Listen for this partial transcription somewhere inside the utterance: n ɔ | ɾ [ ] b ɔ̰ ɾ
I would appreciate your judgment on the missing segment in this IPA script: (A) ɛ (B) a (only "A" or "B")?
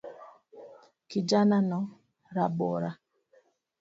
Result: B